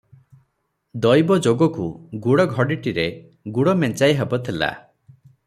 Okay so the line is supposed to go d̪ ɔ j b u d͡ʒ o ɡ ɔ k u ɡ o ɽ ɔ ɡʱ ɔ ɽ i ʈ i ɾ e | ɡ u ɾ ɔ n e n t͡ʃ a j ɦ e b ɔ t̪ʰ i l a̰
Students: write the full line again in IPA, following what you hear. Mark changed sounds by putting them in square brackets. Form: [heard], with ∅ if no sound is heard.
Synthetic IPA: d̪ ɔ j b [ɔ] d͡ʒ o ɡ ɔ k u ɡ [u] ɽ ɔ ɡʱ ɔ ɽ i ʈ i ɾ e | ɡ u [ɽ] ɔ [m] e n t͡ʃ a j ɦ e b ɔ t̪ʰ i l a̰